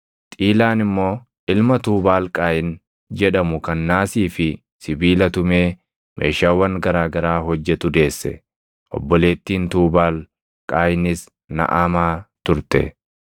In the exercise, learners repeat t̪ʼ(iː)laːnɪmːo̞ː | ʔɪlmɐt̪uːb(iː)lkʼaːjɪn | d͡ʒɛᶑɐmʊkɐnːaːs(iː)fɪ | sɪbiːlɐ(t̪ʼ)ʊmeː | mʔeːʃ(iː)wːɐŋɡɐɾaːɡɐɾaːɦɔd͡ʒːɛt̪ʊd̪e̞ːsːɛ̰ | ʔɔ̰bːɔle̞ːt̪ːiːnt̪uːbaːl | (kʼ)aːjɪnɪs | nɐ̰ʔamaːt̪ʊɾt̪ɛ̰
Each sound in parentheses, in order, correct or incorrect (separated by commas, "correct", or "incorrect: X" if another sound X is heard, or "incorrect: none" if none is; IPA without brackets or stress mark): correct, incorrect: aː, correct, incorrect: t̪, incorrect: aː, correct